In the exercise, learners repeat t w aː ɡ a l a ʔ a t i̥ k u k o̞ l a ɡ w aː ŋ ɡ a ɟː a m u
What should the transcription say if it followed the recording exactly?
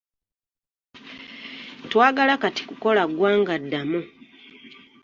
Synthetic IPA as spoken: t w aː ɡ a l a k a t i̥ k u k o̞ l a ɡ w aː ŋ ɡ a dː a m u